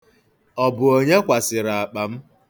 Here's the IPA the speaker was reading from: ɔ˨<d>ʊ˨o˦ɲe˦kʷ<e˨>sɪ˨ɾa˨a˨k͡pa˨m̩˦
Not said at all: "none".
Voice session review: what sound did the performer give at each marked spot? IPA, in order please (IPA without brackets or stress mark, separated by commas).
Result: b, a˨